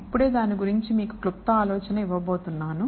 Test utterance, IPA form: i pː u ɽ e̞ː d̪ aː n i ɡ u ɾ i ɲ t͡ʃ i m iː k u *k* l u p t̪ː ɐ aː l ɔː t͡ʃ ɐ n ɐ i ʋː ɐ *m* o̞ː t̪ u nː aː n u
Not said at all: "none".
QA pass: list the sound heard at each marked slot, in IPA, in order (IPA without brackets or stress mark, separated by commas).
k, b